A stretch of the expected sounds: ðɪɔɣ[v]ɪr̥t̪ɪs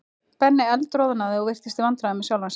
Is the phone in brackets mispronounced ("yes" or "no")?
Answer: no